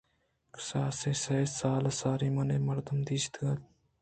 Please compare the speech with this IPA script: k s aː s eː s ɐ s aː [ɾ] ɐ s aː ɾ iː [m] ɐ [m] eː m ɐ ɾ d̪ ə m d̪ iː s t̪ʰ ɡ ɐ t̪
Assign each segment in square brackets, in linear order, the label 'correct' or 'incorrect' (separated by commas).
incorrect, correct, incorrect